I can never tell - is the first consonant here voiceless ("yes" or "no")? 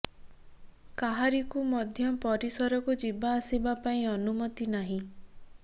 yes